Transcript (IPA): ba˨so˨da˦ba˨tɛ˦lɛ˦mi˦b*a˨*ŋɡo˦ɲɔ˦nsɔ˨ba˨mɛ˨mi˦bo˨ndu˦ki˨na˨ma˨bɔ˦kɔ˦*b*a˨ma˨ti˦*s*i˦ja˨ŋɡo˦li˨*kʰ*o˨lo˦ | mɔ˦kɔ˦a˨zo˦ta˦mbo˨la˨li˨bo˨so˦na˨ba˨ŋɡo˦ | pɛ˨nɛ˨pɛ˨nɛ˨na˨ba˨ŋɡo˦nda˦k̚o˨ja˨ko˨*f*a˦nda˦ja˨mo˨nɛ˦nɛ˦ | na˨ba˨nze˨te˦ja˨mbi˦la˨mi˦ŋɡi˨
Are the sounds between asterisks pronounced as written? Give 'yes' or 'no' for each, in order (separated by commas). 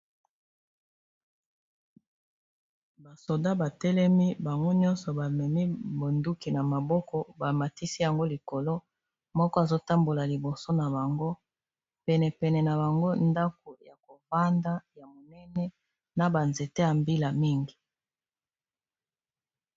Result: yes, yes, yes, no, no